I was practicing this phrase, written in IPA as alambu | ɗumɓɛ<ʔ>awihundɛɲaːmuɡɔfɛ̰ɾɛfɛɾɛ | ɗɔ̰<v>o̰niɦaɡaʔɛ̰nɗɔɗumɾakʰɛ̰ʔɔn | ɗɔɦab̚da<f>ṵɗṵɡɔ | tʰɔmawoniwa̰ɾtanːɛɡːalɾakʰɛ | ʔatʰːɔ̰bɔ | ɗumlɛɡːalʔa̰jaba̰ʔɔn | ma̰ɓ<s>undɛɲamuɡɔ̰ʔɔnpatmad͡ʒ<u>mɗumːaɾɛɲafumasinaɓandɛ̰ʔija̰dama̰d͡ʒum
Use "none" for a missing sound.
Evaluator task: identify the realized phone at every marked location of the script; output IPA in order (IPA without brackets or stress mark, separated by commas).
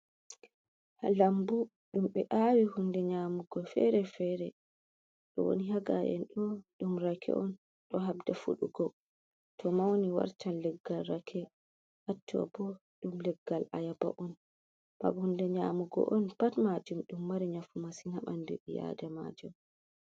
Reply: ʔ, w, f, h, u